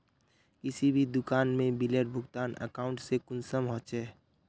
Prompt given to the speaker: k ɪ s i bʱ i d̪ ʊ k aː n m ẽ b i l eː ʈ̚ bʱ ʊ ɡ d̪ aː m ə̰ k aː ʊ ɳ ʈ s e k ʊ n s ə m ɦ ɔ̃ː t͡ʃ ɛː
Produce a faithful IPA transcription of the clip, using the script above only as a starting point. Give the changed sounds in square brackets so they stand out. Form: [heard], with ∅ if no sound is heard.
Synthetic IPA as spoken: k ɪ s i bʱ i d̪ ʊ k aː n m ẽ b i l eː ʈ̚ bʱ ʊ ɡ [t̪] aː [n] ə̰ k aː ʊ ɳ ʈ s e k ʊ n s ə m ɦ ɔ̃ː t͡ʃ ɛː